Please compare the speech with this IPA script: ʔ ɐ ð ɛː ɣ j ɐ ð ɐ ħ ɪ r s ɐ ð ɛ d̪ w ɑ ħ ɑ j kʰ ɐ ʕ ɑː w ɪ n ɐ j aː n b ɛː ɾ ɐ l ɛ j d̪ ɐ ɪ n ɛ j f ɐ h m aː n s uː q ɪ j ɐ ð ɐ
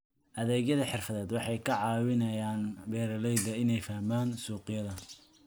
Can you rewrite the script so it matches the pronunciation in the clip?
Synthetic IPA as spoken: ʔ ɐ ð ɛː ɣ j ɐ ð ɐ ħ ɪ r f ɐ ð ɛː d̪ w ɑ ħ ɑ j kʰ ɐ ʕ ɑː w ɪ n ɐ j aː n b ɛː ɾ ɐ l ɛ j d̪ ɐ ɪ n ɛ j f ɐ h m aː n s uː q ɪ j ɐ ð ɐ